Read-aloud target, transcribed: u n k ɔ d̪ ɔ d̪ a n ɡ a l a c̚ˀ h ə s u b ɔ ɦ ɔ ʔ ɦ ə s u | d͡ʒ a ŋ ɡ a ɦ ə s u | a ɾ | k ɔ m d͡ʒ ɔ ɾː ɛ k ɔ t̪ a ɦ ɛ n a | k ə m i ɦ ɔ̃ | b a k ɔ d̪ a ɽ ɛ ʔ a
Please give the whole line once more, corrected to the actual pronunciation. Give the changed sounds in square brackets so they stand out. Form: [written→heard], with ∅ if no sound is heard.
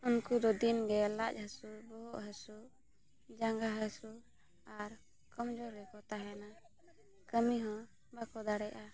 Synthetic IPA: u n k [ɔ→u] d̪ ɔ d̪ [a→i] n ɡ [a→ɛ] l a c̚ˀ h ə s u b ɔ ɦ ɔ ʔ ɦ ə s u | d͡ʒ a ŋ ɡ a ɦ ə s u | a ɾ | k ɔ m d͡ʒ ɔ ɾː ɛ k ɔ t̪ a ɦ ɛ n a | k ə m i ɦ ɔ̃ | b a k ɔ d̪ a ɽ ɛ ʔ a